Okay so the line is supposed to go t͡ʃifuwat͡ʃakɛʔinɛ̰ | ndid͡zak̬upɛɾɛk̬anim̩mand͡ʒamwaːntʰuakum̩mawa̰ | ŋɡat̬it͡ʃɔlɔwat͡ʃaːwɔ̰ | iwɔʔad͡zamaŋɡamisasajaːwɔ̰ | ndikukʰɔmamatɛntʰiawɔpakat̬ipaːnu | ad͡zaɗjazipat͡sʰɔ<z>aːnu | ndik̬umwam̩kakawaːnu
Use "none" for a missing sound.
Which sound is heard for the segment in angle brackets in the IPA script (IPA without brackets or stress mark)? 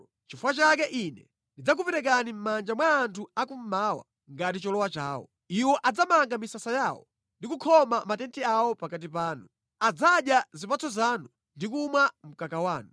z